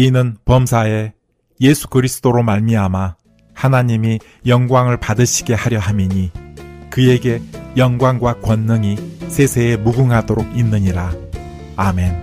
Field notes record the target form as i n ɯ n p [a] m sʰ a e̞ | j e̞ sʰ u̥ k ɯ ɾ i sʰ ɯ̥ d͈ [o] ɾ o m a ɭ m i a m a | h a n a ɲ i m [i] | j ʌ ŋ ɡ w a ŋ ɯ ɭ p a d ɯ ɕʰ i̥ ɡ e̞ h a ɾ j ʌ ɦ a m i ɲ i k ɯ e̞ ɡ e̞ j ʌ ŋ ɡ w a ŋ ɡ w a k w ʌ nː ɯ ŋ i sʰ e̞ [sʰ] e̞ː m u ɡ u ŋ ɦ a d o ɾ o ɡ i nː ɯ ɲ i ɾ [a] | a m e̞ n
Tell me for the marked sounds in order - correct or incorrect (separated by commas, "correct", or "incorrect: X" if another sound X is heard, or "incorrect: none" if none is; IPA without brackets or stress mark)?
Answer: incorrect: ʌ, correct, correct, correct, correct